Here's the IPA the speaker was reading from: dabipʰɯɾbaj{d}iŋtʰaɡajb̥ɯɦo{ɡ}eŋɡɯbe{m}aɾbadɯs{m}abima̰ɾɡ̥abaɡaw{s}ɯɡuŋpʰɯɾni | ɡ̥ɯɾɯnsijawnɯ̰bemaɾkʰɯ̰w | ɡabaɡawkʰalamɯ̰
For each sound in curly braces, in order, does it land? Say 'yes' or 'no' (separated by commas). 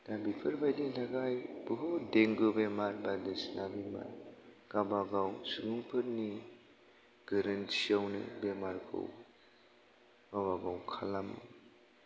yes, no, yes, no, yes